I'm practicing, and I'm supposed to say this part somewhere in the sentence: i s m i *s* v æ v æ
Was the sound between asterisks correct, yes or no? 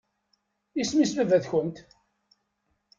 yes